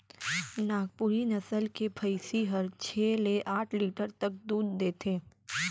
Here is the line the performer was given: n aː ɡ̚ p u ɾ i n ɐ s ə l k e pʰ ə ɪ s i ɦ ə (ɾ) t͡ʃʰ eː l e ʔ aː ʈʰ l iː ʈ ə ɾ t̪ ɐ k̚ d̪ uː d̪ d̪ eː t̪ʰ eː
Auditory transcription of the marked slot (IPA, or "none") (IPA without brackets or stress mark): ɾ